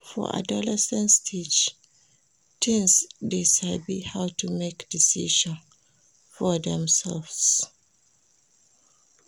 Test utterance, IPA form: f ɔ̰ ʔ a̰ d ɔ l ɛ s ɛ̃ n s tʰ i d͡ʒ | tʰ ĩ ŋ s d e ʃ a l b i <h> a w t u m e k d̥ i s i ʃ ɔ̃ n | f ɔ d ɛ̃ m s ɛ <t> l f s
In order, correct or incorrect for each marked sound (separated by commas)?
correct, incorrect